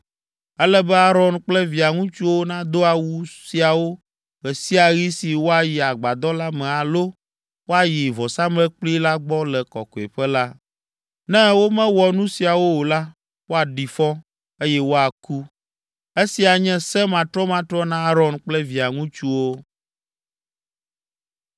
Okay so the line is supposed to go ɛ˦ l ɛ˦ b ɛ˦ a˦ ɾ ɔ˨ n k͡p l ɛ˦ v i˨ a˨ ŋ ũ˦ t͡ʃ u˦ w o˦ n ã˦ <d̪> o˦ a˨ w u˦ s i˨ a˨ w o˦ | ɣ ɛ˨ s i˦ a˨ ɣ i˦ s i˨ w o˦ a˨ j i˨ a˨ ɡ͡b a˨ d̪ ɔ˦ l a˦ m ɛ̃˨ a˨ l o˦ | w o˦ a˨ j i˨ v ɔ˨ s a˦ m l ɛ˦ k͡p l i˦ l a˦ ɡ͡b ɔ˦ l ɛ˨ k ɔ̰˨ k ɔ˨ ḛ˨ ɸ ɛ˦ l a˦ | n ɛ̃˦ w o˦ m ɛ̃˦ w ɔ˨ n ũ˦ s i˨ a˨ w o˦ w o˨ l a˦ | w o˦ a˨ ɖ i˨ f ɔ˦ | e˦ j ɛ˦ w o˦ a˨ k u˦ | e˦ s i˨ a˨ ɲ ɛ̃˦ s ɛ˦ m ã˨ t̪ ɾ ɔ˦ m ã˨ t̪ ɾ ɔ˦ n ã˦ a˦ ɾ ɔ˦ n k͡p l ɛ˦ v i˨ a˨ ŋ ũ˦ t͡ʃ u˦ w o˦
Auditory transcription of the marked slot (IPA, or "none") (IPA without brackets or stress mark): d̪